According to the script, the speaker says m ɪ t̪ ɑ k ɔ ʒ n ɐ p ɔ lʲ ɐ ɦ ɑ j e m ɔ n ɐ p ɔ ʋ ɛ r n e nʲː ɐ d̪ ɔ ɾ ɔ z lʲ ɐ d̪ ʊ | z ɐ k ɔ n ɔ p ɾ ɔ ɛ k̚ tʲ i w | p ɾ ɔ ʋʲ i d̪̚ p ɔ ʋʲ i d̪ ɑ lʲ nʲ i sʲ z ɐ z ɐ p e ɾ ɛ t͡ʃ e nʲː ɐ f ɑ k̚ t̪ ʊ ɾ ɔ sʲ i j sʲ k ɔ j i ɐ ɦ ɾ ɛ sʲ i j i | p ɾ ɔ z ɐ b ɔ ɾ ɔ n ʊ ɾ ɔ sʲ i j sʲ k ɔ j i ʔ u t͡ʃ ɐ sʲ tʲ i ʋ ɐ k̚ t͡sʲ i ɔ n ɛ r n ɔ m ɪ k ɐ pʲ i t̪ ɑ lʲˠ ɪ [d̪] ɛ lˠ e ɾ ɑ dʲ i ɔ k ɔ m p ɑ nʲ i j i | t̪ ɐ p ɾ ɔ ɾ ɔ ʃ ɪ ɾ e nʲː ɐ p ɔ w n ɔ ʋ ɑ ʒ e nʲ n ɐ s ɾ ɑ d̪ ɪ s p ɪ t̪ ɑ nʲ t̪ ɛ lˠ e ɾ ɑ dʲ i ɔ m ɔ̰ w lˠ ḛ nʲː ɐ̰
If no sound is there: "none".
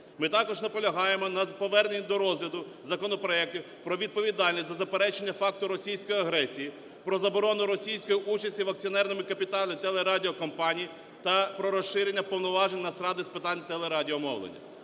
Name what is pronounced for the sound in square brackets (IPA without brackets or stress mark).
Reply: t̪